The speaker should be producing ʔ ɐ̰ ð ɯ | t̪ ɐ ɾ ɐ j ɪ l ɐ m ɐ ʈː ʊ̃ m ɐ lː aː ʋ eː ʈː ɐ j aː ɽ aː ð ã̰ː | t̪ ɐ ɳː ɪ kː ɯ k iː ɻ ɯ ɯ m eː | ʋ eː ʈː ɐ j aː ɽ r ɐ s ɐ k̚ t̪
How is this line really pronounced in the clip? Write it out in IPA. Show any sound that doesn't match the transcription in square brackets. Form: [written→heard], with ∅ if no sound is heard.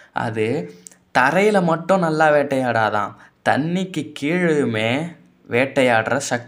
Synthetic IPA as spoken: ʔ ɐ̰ ð ɯ | t̪ ɐ ɾ ɐ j ɪ l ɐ m ɐ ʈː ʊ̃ [m→n] ɐ lː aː ʋ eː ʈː ɐ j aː ɽ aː ð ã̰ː | t̪ ɐ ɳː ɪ kː ɯ k iː ɻ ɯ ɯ m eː | ʋ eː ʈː ɐ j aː ɽ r ɐ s ɐ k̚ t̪